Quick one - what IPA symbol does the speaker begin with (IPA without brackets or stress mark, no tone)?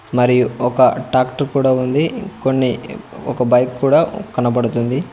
m